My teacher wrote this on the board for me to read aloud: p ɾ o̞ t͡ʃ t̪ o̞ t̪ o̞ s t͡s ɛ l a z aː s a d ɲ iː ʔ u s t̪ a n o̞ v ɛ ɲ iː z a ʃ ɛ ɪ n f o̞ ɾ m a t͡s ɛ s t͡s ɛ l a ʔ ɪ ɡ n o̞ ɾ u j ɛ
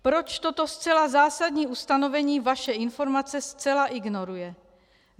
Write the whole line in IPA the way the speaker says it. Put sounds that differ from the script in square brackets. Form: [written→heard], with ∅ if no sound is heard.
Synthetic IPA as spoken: p ɾ o̞ t͡ʃ t̪ o̞ t̪ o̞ s t͡s ɛ l a z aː s a d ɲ iː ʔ u s t̪ a n o̞ v ɛ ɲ iː [z→v] a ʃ ɛ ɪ n f o̞ ɾ m a t͡s ɛ s t͡s ɛ l a ʔ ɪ ɡ n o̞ ɾ u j ɛ